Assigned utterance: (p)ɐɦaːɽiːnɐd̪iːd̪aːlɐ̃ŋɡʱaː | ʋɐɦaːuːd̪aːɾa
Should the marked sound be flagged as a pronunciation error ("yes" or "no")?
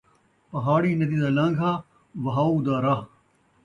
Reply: no